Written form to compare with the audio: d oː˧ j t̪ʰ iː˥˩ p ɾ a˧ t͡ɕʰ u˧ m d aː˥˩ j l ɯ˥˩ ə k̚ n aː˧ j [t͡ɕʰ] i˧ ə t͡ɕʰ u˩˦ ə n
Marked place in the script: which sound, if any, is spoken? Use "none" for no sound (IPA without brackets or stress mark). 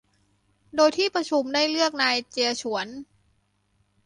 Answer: t͡ɕ